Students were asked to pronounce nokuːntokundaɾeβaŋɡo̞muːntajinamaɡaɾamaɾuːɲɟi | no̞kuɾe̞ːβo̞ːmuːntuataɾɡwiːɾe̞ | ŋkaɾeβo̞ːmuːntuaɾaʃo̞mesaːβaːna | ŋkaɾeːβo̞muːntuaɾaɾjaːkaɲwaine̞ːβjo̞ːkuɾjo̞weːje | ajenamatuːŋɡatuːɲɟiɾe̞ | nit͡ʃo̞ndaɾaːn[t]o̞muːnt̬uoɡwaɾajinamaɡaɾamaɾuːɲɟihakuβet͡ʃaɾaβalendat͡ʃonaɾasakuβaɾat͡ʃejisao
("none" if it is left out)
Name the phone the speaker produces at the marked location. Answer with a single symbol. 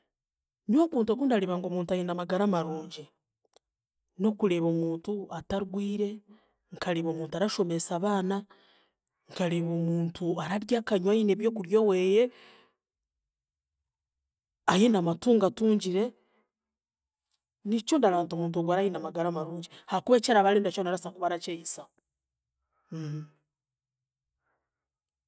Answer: t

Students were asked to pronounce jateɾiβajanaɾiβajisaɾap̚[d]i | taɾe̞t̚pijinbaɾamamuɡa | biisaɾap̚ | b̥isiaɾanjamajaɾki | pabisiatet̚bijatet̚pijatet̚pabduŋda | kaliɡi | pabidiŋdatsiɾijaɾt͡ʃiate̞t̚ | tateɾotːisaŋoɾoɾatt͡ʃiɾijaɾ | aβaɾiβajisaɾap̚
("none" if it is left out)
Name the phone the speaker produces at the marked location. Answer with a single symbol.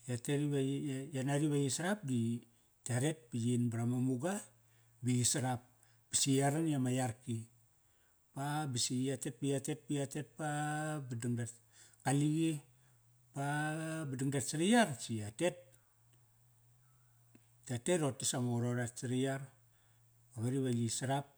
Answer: d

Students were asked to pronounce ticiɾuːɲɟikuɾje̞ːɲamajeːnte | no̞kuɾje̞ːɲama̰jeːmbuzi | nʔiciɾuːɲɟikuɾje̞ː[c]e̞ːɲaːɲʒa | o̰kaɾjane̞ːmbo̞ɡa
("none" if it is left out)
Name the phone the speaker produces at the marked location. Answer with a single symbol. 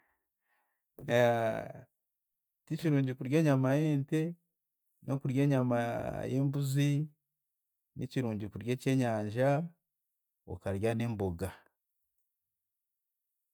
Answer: c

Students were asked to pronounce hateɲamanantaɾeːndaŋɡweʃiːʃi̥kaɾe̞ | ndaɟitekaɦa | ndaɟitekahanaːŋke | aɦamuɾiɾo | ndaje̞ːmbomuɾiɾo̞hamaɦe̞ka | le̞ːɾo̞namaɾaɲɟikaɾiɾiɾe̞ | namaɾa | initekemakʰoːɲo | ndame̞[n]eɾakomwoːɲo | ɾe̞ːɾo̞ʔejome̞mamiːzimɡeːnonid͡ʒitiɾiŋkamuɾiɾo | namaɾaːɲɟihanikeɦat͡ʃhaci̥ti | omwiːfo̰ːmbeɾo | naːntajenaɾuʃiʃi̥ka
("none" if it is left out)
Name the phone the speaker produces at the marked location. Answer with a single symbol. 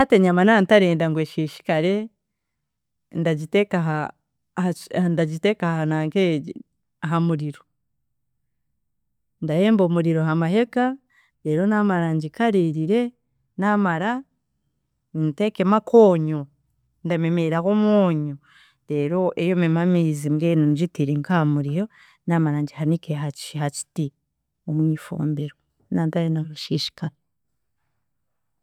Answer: m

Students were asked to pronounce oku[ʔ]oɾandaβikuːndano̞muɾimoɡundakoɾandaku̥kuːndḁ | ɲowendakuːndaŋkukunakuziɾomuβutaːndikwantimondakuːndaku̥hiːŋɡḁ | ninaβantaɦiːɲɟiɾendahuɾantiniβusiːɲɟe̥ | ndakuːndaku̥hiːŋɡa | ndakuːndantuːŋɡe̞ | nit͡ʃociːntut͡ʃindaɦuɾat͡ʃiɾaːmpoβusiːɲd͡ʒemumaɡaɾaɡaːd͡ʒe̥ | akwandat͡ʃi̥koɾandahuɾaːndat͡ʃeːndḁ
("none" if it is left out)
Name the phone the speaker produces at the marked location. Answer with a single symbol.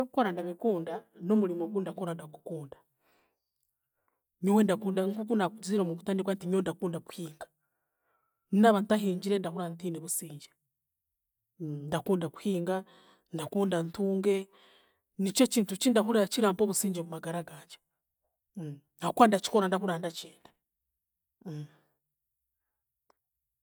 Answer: k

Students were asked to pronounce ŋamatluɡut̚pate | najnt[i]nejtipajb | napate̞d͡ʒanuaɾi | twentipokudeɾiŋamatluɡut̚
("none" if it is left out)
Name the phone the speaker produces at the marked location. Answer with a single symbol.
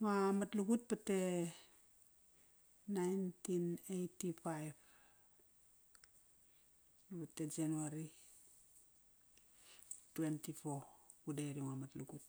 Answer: i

